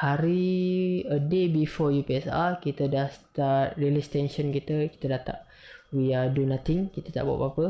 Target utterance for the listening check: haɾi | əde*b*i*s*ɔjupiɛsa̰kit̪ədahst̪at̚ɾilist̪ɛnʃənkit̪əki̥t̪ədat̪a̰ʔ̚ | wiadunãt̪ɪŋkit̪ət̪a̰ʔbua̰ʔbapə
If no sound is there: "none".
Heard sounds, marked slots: b, f

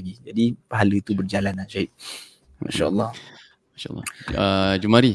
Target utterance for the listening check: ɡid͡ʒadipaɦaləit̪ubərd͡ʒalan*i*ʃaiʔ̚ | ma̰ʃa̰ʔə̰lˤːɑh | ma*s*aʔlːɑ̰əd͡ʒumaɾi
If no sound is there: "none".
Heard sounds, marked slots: a, ʃ

